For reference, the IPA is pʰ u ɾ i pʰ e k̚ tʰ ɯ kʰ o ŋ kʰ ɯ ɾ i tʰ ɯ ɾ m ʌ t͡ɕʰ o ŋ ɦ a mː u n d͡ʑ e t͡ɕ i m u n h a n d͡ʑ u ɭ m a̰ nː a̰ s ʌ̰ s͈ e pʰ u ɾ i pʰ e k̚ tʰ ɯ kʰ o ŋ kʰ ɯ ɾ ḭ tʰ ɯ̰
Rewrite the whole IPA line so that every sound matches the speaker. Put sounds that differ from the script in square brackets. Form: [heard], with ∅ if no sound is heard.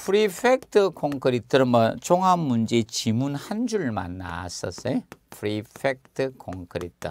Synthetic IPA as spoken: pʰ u ɾ i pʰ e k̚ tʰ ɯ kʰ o ŋ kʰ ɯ ɾ i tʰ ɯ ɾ m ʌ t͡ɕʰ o ŋ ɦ a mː u n d͡ʑ e t͡ɕ i m u n h a n d͡ʑ u ɭ m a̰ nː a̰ s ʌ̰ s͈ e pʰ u ɾ i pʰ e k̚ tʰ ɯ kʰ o ŋ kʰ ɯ ɾ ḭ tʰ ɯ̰